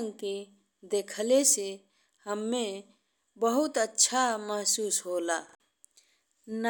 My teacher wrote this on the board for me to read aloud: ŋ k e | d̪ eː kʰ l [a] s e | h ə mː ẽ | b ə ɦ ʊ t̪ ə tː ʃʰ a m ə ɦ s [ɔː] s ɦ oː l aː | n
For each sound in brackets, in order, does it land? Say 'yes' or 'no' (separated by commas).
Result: no, no